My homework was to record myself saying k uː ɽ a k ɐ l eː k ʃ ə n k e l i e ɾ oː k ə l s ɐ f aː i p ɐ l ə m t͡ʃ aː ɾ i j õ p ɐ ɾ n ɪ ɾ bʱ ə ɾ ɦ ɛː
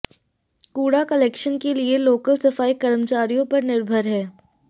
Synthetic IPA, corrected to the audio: k uː ɽ a k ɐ l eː k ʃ ə n k e l i e l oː k ə l s ɐ f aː i k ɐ ɾ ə m t͡ʃ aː ɾ i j õ p ɐ ɾ n ɪ ɾ bʱ ə ɾ ɦ ɛː